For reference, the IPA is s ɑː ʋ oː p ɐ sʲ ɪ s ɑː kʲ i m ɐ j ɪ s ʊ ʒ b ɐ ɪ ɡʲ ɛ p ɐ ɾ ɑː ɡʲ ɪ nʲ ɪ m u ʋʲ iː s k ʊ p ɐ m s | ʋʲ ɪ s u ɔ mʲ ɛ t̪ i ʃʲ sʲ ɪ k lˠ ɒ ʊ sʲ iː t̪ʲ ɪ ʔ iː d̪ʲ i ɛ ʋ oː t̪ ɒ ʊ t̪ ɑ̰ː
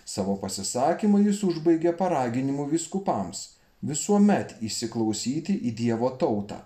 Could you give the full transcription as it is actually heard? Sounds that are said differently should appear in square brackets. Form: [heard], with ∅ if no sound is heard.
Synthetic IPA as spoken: s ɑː ʋ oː p ɐ sʲ ɪ s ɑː kʲ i m ɐ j ɪ s ʊ ʒ b ɐ ɪ ɡʲ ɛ p ɐ ɾ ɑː ɡʲ ɪ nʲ ɪ m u ʋʲ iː s k ʊ p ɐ m s | ʋʲ ɪ s u ɔ mʲ ɛ t̪ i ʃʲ sʲ ɪ k lˠ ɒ ʊ sʲ iː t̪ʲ ɪ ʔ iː d̪ʲ i ɛ ʋ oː t̪ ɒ ʊ t̪ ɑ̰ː